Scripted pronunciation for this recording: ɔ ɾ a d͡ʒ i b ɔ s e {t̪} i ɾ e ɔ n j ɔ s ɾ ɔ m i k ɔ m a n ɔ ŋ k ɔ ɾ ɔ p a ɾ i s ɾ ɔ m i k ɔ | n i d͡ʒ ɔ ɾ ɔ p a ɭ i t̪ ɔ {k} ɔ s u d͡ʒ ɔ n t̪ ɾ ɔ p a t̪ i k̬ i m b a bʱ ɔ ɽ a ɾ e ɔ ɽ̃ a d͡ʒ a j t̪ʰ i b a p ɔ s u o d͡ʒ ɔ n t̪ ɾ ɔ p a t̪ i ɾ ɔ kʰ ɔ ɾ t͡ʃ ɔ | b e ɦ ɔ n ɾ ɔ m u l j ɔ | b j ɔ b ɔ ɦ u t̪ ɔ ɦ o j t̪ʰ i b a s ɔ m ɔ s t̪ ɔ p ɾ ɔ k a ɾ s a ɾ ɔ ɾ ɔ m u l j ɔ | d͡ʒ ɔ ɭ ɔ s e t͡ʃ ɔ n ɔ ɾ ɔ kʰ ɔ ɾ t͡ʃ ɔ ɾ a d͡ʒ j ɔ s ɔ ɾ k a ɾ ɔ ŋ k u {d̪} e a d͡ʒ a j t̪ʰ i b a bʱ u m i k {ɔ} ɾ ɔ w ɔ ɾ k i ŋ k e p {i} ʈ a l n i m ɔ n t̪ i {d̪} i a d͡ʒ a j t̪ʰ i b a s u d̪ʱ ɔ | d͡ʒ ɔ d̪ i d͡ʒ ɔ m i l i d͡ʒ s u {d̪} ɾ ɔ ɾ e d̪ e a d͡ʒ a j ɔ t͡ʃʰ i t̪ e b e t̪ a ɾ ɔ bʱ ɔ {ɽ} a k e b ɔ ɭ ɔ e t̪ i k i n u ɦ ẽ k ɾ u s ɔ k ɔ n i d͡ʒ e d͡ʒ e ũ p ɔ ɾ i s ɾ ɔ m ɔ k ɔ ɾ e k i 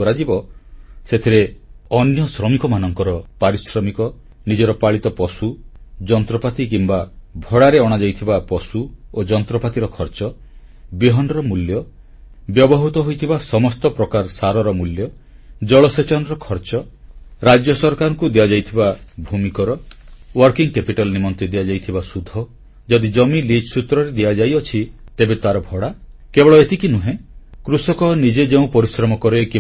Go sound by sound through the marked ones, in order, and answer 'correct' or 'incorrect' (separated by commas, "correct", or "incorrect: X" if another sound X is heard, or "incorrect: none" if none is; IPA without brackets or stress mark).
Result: incorrect: t̪ʰ, incorrect: p, correct, correct, correct, correct, incorrect: t̪, correct